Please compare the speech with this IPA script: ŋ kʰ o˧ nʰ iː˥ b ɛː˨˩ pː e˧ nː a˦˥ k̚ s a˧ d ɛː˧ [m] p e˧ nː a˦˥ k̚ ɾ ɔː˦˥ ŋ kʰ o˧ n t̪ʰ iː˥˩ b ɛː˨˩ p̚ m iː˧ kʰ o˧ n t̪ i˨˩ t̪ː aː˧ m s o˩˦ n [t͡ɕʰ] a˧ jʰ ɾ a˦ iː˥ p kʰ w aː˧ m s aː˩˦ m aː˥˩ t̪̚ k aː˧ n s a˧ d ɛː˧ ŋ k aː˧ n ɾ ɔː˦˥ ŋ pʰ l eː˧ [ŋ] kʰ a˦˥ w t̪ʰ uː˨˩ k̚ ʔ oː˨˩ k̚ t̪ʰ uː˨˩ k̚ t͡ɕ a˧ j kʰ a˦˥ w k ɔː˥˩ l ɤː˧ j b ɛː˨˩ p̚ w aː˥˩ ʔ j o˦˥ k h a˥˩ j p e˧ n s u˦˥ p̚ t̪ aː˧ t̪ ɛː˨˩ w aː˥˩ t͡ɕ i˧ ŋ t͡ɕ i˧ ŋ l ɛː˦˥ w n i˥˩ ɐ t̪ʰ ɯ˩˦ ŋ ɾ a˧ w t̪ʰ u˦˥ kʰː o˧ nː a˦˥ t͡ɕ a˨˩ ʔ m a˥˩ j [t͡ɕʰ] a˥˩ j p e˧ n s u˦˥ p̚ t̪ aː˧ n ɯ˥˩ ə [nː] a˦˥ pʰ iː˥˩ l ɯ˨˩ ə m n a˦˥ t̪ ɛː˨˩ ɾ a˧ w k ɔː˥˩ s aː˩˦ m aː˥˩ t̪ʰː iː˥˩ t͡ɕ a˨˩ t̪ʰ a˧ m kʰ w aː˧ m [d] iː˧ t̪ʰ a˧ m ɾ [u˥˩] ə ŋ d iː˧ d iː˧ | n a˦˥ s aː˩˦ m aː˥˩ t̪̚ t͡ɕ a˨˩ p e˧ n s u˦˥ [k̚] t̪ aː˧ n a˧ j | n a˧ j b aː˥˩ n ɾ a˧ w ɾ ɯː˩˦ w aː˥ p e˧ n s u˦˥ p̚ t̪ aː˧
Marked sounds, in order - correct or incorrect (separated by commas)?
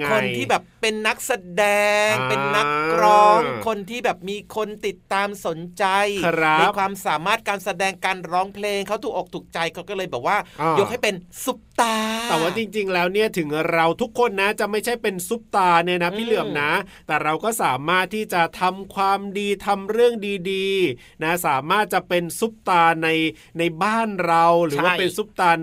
incorrect, incorrect, correct, correct, incorrect, correct, incorrect, incorrect